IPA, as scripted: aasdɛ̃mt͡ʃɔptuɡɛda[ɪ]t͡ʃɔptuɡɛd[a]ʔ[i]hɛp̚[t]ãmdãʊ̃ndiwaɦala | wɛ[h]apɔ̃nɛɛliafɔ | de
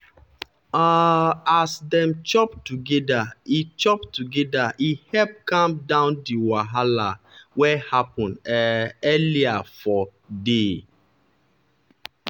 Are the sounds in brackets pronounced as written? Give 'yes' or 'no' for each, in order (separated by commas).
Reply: no, yes, yes, no, yes